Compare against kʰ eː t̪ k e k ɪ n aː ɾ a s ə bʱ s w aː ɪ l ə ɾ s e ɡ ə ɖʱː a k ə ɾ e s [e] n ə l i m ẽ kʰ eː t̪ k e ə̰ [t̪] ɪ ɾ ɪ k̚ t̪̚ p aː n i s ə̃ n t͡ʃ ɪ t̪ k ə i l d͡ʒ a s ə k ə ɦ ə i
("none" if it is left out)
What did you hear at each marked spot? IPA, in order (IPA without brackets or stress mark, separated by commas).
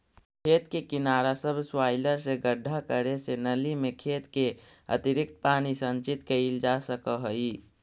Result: e, t̪